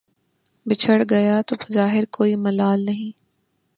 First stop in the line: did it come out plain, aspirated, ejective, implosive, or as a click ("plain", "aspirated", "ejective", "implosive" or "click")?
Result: plain